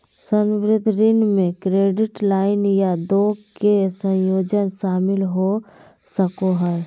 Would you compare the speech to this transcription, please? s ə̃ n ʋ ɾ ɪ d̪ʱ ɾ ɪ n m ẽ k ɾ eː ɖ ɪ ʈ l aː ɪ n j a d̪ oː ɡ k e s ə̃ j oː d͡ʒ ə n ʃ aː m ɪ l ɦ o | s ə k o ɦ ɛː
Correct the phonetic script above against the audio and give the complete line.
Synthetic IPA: s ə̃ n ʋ ɾ ɪ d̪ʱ ɾ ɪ n m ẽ k ɾ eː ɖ ɪ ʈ l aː ɪ n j a d̪ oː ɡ k e s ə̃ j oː d͡ʒ ə n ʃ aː m ɪ l ɦ o | s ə k o ɦ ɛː